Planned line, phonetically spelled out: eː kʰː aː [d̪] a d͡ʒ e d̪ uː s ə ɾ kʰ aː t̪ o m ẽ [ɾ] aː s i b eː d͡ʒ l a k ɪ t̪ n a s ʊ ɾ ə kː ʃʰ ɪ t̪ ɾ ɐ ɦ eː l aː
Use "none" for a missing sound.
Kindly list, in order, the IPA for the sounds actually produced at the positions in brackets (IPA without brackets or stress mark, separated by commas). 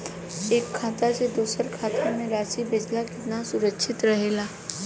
t̪, ɾ